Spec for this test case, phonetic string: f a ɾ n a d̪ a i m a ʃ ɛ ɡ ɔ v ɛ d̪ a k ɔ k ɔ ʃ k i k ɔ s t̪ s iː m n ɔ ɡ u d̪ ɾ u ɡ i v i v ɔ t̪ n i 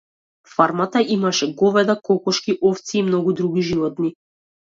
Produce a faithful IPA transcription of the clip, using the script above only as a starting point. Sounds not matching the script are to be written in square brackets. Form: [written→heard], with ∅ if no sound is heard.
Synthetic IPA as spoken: f a ɾ [n→m] a [d̪→t̪] a i m a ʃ ɛ ɡ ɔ v ɛ d̪ a k ɔ k ɔ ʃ k i [k→ʔ] ɔ [s→f] t̪ s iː m n ɔ ɡ u d̪ ɾ u ɡ i [v→ʒ] i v ɔ t̪ n i